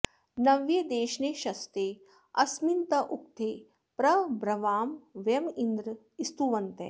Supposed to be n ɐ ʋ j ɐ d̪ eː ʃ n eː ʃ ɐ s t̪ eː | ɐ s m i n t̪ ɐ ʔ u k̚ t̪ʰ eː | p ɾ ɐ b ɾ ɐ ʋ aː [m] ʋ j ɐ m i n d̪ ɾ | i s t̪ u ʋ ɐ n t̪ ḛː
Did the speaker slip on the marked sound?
no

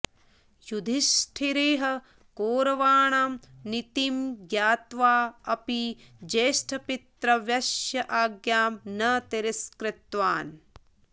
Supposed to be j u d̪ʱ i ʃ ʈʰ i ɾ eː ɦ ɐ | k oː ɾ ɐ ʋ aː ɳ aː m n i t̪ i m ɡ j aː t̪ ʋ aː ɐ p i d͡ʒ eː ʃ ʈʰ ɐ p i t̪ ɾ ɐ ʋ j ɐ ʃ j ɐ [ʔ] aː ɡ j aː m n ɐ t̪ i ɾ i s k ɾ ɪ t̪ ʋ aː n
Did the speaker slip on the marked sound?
no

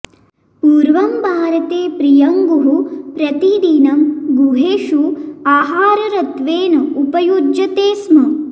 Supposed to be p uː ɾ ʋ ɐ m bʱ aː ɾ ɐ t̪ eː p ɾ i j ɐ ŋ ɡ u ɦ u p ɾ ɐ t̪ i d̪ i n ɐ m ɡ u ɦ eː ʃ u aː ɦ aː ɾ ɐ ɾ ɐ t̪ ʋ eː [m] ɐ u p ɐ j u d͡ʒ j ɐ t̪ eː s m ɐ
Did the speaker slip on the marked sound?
yes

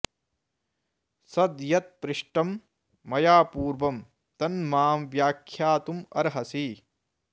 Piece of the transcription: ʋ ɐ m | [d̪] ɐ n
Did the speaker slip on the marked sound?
yes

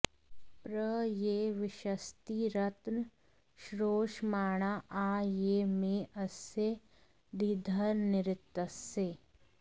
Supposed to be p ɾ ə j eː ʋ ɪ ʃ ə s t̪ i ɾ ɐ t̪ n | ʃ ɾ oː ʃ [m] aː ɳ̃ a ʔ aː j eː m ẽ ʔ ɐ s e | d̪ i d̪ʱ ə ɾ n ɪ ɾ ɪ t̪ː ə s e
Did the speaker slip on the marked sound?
no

